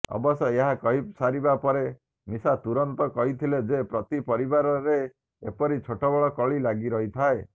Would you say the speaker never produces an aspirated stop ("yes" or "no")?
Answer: no